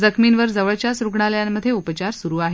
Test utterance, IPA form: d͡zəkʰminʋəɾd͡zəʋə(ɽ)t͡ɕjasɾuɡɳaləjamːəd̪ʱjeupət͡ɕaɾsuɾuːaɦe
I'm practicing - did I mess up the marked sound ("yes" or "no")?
yes